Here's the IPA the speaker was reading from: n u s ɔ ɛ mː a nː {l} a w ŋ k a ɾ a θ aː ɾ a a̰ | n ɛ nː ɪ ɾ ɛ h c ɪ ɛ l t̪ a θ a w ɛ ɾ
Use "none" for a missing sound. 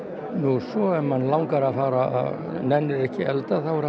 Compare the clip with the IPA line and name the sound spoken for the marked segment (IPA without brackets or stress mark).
l